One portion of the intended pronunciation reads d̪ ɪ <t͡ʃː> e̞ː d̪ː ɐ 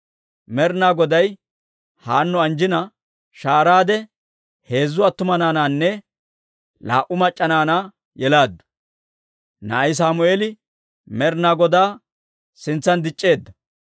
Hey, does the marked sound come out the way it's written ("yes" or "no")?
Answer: no